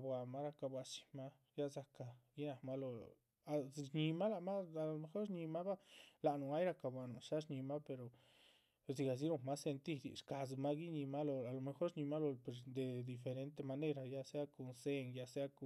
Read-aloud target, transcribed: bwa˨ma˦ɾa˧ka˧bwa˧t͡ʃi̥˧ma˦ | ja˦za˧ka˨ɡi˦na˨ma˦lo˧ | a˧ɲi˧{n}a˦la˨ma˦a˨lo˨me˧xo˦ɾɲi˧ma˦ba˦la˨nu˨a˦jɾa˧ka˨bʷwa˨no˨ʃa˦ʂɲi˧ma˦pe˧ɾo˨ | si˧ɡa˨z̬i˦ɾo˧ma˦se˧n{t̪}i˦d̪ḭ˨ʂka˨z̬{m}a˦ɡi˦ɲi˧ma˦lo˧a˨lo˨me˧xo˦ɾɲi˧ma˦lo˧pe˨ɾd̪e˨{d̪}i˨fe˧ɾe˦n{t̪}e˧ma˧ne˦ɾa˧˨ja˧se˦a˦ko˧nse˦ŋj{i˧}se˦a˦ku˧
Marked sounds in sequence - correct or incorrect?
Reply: incorrect, correct, correct, correct, correct, incorrect

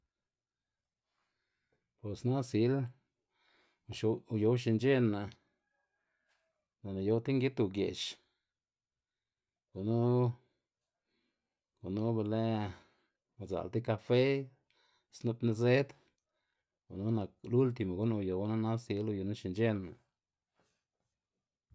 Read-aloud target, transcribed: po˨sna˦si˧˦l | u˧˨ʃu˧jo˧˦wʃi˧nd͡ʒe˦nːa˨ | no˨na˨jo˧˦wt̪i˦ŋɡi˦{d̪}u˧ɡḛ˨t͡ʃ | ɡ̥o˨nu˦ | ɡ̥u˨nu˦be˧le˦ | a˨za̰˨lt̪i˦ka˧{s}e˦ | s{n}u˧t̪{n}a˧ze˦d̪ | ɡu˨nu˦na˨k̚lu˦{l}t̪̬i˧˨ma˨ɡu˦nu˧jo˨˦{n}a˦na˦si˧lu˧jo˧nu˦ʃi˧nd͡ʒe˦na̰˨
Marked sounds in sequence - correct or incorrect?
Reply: incorrect, incorrect, correct, correct, correct, correct

